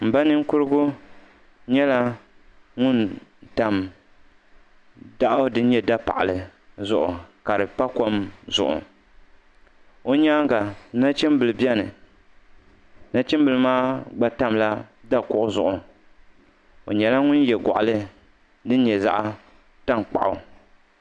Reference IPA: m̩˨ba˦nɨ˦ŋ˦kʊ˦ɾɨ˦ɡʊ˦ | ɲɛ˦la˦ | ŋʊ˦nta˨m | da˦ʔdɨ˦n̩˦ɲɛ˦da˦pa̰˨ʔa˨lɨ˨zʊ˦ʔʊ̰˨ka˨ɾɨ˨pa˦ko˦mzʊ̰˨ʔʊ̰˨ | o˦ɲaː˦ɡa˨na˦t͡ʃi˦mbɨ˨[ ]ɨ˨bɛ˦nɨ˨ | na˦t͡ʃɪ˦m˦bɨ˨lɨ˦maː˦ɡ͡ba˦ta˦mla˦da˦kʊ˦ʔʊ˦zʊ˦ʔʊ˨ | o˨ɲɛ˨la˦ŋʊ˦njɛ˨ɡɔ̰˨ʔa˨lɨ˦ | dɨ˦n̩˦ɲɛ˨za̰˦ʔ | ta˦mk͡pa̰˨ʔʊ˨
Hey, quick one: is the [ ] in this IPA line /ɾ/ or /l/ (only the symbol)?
l